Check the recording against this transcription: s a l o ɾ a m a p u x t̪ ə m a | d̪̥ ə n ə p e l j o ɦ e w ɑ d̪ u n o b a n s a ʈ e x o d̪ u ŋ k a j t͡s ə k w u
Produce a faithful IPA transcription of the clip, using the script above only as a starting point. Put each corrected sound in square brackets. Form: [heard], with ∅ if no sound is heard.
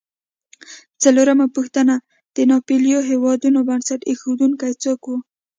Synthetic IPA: [t͡s] a l o ɾ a m a p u x t̪ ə [n] a | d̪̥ ə n [ɑ] p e l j o ɦ e w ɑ d̪ u n o b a n s a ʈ e x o d̪ u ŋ k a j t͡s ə k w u